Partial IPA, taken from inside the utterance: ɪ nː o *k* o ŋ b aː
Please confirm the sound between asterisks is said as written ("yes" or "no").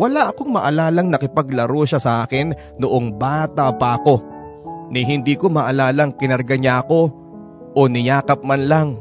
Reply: no